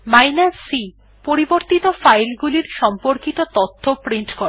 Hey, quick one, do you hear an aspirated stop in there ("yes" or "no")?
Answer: yes